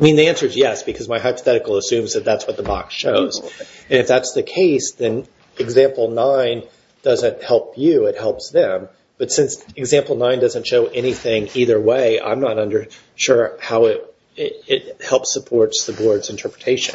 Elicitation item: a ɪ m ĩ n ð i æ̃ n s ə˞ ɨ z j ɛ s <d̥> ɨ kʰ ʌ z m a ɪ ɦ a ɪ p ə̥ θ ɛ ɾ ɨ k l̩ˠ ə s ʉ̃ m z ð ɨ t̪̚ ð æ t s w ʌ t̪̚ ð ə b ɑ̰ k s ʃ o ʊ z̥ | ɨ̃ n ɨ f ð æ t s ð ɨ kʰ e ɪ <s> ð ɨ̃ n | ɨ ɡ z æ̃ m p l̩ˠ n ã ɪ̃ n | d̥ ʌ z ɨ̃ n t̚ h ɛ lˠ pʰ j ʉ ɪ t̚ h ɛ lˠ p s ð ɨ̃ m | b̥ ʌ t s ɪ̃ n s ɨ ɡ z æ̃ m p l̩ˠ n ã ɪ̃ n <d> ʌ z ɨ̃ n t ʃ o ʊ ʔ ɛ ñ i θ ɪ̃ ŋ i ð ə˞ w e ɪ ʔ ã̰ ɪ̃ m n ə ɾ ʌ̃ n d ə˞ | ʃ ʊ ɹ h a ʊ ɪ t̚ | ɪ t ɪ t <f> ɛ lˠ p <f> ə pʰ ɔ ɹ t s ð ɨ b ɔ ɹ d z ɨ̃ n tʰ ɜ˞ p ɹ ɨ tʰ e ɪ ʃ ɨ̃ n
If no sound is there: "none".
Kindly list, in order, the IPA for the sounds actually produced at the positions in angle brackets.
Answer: b̥, s, d, h, s

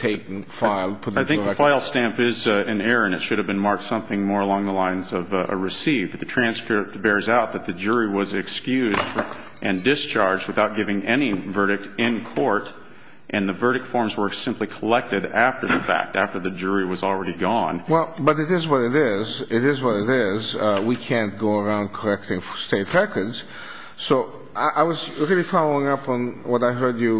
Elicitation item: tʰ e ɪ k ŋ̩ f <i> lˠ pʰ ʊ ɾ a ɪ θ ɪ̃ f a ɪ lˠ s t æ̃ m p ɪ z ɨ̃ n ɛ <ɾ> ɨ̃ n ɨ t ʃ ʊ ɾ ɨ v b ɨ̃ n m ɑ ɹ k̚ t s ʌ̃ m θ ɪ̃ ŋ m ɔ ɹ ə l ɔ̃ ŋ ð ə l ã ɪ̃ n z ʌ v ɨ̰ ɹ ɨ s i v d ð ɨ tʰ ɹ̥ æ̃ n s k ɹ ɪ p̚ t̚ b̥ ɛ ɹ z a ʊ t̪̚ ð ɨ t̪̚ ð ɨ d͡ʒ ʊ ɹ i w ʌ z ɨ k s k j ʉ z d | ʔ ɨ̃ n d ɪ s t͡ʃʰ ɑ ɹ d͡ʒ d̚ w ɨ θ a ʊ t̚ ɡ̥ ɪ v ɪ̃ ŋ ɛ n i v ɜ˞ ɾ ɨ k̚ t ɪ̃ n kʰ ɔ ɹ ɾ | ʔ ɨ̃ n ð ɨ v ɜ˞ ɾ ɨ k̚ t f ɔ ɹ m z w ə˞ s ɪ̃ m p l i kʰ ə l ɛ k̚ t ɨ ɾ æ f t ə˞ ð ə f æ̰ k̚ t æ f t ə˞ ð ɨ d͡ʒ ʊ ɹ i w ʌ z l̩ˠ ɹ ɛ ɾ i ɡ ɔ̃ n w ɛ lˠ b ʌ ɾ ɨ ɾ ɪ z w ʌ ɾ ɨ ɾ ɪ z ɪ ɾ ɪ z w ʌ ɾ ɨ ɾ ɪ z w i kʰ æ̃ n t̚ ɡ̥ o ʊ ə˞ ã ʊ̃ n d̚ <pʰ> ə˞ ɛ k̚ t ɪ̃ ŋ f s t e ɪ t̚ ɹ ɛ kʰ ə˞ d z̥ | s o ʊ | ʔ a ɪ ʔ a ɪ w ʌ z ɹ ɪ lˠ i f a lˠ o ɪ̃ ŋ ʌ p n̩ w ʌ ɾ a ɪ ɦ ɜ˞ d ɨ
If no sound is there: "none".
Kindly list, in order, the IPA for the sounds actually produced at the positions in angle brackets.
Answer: ɪ, ɹ, kʰ

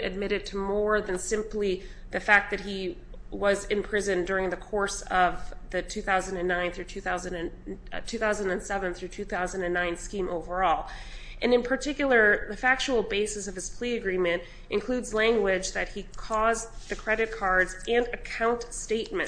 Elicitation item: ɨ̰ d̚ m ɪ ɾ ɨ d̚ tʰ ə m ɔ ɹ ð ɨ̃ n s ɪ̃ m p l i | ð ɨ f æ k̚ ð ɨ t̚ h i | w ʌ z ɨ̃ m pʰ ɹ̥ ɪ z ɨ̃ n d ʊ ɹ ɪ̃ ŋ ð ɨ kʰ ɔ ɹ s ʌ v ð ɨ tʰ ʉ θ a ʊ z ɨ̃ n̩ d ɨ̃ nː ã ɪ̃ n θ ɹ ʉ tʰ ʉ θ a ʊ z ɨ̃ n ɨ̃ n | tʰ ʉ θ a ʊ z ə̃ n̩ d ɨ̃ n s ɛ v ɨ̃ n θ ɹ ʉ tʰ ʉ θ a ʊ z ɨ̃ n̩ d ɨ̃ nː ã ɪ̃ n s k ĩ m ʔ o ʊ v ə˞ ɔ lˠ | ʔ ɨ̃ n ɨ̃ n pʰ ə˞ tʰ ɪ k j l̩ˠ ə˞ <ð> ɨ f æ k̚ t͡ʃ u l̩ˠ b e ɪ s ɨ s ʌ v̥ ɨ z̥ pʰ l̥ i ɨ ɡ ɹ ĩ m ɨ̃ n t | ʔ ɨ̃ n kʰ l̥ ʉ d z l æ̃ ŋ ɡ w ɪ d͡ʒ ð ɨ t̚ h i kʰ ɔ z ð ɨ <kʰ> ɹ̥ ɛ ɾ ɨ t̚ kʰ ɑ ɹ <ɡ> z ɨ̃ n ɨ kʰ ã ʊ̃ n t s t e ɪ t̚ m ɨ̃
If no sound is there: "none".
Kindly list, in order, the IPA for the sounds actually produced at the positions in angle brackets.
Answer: ð, kʰ, d

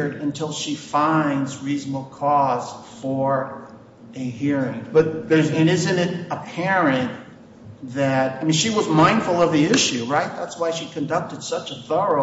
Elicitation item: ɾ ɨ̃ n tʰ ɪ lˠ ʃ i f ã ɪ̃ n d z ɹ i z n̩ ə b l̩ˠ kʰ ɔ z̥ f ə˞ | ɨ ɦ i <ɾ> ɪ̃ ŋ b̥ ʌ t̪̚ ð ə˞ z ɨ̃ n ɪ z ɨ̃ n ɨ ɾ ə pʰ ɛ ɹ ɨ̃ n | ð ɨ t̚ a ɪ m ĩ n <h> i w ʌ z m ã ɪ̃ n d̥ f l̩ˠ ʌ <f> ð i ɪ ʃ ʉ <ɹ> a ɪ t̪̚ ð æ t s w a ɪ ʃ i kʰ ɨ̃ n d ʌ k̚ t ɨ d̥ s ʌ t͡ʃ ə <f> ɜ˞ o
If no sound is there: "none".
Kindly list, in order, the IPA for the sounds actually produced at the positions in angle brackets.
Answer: ɹ, ʃ, v, ɹ, θ

